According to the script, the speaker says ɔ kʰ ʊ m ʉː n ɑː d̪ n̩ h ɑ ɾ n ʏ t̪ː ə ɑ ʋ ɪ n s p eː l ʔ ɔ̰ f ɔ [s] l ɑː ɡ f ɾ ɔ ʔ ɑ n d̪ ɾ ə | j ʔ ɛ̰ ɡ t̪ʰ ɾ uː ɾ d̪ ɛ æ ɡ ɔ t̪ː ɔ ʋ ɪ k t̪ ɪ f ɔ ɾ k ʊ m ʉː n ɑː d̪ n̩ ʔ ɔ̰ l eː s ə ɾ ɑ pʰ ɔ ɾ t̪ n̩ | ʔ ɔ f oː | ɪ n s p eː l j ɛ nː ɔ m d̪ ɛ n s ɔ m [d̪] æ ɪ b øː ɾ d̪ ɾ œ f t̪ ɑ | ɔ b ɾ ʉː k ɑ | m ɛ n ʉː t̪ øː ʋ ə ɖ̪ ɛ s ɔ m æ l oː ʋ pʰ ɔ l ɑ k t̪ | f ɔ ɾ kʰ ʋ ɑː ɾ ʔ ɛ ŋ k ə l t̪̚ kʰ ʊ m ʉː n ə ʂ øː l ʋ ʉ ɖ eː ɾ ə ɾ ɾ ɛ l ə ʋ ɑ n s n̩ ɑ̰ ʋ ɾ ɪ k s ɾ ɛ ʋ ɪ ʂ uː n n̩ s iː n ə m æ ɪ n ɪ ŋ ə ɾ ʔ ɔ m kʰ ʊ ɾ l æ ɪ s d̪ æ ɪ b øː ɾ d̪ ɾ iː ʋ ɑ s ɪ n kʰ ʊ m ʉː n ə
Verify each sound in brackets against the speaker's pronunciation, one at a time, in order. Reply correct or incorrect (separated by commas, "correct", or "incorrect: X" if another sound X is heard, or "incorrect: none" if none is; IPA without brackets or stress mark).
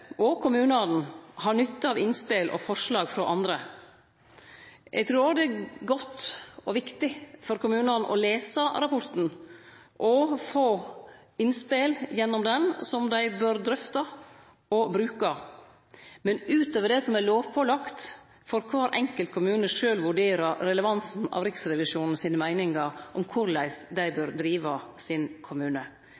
incorrect: ʂ, correct